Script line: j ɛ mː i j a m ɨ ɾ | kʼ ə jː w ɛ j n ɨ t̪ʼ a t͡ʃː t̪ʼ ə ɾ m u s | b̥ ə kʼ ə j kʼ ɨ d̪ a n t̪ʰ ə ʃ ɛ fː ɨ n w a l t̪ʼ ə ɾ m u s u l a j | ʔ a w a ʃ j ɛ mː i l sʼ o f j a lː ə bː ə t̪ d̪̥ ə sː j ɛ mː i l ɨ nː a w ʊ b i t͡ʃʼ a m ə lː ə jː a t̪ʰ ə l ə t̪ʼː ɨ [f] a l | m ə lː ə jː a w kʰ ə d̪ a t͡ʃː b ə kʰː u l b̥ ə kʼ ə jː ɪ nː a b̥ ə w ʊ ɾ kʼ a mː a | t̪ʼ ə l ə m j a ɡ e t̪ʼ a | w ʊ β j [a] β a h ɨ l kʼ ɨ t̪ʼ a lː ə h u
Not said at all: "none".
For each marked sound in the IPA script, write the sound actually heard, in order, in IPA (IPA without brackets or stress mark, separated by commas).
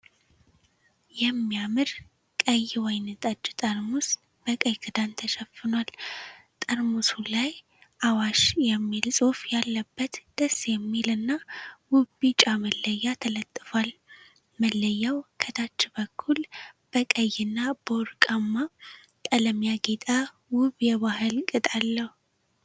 f, ɛ